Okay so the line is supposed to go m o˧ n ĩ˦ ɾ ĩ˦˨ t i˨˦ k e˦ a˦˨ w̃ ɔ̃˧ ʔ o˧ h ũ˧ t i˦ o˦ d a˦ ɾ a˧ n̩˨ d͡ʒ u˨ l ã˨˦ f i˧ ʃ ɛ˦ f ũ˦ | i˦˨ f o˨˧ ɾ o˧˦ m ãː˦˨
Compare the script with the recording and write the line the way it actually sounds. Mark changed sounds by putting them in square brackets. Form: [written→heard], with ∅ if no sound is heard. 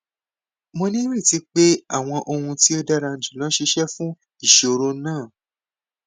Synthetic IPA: m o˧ n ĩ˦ ɾ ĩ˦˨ t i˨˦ [k→k͡p] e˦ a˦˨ w̃ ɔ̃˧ ʔ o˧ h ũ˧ t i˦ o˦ d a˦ ɾ a˧ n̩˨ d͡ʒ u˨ l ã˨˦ [f→ʃ] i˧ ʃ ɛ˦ f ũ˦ | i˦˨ [f→ʃ] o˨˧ ɾ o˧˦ [m→n] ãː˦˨